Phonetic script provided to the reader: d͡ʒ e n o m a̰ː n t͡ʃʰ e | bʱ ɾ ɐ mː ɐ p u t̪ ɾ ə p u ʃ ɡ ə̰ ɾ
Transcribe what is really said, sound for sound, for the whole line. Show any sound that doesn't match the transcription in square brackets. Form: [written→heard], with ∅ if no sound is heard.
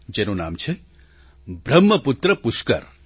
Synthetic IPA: d͡ʒ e n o [m→n] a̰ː [n→m] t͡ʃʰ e | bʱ ɾ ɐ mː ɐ p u t̪ ɾ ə p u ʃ [ɡ→k] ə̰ ɾ